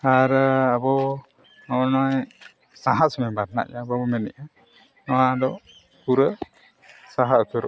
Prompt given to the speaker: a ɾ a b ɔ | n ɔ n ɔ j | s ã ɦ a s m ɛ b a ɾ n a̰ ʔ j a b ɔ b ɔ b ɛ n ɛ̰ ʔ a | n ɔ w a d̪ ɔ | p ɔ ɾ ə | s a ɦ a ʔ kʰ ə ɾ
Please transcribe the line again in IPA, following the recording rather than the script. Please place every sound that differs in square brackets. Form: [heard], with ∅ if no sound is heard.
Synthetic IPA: a ɾ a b ɔ | n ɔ n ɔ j | s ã ɦ a s m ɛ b a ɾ n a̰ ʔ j a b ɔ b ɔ [m] ɛ n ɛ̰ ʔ a | n ɔ w a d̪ ɔ | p [u] ɾ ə | s a ɦ a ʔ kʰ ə ɾ